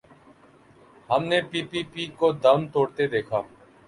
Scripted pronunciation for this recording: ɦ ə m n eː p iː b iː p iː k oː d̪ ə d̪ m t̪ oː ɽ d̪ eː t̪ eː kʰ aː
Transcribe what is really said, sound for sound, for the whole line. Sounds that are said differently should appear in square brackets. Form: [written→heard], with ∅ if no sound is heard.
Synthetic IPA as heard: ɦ ə m n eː p iː [b→p] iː p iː k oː d̪ ə [d̪→∅] m t̪ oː ɽ [d̪→t̪] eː [t̪→d̪] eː kʰ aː